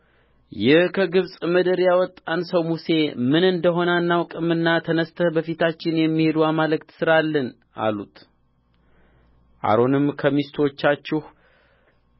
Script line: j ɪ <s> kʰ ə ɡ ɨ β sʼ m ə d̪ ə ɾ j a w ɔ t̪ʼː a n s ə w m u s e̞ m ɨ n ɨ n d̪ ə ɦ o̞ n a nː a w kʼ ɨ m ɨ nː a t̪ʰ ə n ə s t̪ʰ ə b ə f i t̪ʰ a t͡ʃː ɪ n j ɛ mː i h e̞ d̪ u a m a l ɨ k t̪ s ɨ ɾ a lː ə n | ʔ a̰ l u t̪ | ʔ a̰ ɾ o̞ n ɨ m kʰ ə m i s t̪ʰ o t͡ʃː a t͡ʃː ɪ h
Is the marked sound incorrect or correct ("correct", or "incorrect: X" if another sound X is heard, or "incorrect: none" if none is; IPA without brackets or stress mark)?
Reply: incorrect: h